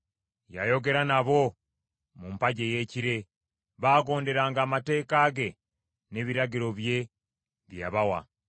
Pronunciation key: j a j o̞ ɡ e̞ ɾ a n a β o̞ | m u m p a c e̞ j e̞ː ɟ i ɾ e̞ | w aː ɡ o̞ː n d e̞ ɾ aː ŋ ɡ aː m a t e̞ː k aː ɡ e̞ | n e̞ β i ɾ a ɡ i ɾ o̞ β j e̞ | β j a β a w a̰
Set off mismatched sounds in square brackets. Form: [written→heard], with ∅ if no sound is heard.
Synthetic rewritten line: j a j o̞ ɡ e̞ ɾ a n a β o̞ | m u m p a [c→ɟ] e̞ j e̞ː [ɟ→c] i ɾ e̞ | [w→β] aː ɡ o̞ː n d e̞ ɾ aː ŋ ɡ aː m a t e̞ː k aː ɡ e̞ | n e̞ β i ɾ a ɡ i ɾ o̞ β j e̞ | β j a β a w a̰